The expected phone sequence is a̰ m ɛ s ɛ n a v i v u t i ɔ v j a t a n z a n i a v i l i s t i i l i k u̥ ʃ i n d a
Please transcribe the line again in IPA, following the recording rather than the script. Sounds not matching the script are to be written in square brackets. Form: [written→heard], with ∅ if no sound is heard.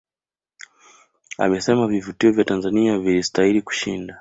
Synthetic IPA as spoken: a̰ m ɛ s ɛ [n→m] a v i v u t i ɔ v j a t a n z a n i a v i l i s t [i→a] i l i k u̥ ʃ i n d a